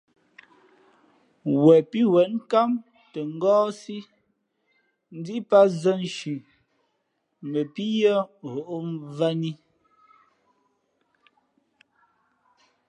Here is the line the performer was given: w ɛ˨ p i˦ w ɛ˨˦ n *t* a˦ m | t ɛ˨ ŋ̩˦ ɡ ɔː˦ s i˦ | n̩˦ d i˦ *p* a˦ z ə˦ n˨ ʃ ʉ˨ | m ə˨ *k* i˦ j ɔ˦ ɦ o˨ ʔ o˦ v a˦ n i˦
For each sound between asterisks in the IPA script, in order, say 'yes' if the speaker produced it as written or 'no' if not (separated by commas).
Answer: no, yes, no